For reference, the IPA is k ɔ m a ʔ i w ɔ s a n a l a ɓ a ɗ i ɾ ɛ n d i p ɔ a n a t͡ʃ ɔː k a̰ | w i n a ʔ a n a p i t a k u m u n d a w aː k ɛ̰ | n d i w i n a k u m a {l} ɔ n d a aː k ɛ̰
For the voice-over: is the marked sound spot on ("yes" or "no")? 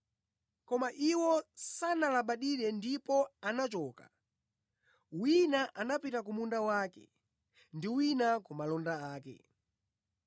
yes